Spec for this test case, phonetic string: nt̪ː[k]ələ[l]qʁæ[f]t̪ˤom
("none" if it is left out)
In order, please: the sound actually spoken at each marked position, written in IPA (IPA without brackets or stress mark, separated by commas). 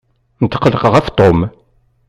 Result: q, none, f